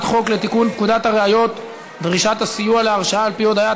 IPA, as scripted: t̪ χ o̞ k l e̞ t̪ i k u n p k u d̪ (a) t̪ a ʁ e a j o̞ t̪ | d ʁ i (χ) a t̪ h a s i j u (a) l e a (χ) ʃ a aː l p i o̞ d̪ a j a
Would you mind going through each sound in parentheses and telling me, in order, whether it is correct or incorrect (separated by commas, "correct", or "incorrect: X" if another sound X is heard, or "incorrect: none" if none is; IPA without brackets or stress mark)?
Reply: correct, incorrect: ʃ, correct, incorrect: ʁ